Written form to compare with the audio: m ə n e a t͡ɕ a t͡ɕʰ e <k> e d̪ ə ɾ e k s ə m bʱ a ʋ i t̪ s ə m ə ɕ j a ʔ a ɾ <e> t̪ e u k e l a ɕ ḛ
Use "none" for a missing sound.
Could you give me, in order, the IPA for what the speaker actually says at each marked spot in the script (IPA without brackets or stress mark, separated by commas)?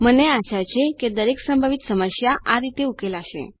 k, i